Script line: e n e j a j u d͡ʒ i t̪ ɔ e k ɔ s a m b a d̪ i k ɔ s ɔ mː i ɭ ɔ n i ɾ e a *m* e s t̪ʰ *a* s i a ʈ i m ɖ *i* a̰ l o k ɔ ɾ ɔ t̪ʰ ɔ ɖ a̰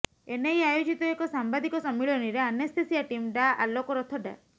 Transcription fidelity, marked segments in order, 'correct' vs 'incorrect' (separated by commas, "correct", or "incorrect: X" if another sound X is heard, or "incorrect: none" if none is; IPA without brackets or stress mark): incorrect: n, incorrect: e, incorrect: a